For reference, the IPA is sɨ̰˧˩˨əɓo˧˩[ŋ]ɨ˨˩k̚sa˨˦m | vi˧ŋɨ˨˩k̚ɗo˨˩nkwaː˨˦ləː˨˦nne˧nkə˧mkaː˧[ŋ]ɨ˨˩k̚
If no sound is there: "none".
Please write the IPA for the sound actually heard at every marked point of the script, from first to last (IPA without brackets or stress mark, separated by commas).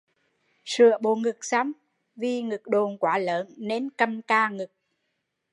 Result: ŋ, ŋ